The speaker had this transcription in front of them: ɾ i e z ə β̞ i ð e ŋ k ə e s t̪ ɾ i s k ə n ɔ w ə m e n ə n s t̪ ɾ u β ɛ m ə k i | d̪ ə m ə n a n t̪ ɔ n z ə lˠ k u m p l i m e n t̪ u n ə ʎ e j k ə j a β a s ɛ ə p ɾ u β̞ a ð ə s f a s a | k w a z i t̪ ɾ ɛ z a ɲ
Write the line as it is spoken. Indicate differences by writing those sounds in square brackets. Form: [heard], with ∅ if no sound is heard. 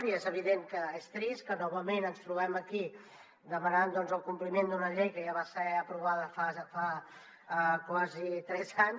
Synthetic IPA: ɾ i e z ə β̞ i ð e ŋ k ə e s t̪ ɾ i s k ə n ɔ [β] ə m e n ə n s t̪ ɾ u β ɛ m ə k i | d̪ ə m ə n a n [d̪] ɔ n z ə lˠ k u m p l i m e n [d̪] u n ə ʎ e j k ə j a β a s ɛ ə p ɾ u β̞ a ð ə [∅] f a [f] a | k w a z i t̪ ɾ ɛ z a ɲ